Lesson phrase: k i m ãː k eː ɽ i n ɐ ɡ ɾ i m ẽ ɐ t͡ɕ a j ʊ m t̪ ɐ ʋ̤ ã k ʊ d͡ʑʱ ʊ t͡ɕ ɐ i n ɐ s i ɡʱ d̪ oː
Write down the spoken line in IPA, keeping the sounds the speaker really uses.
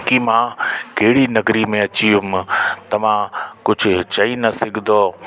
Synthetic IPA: k i m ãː k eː ɽ i n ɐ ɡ ɾ i m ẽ ɐ t͡ɕ i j ʊ m t̪ ɐ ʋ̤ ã k ʊ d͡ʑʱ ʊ t͡ɕ ɐ i n ɐ s ɪ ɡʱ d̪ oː